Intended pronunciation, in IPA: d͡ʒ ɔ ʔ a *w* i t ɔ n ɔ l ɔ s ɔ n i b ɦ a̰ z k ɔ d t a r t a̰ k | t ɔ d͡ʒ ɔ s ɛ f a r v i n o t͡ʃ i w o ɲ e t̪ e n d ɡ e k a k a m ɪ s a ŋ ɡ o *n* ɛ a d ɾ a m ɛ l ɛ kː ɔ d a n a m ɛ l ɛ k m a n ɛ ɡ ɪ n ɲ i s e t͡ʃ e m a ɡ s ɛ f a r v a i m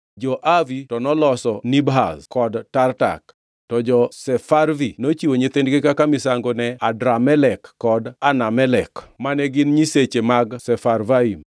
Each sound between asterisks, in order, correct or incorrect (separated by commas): incorrect, correct